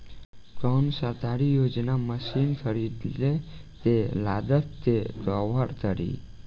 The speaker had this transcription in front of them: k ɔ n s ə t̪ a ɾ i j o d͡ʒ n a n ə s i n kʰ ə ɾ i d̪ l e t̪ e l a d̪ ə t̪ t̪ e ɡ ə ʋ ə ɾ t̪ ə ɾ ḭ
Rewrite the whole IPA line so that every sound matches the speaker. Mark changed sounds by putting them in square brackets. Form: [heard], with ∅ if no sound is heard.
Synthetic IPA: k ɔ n s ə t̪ a ɾ i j o d͡ʒ n a [m] ə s i n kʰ ə ɾ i d̪ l e t̪ e l a d̪ ə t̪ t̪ e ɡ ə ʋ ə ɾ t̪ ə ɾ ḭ